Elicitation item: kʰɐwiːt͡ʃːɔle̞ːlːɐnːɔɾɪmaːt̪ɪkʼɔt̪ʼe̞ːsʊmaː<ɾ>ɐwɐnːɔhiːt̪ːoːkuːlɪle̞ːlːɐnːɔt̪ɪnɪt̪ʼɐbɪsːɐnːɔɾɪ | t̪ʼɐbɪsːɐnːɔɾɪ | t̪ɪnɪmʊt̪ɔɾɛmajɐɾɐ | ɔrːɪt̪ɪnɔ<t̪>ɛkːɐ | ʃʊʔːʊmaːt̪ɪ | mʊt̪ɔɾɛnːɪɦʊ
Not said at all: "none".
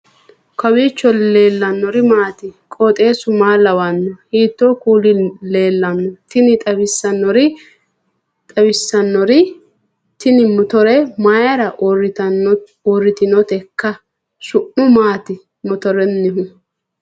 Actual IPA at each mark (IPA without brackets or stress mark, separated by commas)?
l, t̪